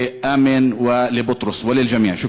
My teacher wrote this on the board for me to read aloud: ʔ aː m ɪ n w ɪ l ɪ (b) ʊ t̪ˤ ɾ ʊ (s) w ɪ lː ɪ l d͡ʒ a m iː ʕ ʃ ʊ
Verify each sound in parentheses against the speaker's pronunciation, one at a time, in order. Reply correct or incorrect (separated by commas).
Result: correct, correct